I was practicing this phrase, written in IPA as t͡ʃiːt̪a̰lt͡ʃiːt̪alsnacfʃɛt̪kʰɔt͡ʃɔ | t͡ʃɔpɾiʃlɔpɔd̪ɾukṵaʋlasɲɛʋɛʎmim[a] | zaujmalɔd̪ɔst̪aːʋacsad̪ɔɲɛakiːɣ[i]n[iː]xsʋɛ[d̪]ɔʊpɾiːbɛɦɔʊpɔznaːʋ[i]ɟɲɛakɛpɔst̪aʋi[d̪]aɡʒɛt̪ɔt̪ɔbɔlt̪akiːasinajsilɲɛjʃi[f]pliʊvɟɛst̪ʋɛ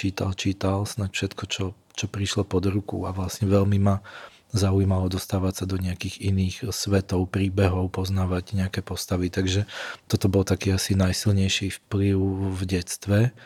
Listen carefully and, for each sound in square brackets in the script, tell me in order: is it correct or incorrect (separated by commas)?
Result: correct, correct, correct, incorrect, incorrect, incorrect, correct